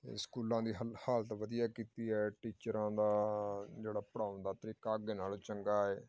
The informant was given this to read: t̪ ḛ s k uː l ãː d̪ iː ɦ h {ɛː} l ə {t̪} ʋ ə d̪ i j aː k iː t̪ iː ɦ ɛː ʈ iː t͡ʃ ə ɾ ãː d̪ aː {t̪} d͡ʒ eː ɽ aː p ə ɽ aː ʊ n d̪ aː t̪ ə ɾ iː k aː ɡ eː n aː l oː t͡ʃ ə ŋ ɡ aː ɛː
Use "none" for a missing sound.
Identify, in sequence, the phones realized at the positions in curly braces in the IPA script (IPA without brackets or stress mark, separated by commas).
aː, t̪, none